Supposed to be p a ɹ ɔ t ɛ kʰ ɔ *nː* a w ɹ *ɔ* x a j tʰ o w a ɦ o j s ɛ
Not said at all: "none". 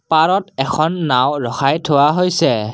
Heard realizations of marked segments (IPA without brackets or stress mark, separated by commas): nː, ɔ